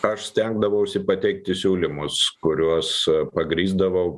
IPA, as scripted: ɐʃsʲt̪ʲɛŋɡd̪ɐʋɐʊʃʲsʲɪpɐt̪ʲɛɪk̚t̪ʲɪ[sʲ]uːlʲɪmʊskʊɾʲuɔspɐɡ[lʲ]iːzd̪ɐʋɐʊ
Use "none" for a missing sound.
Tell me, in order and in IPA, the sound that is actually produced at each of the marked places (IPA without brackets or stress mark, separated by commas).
sʲ, ɾʲ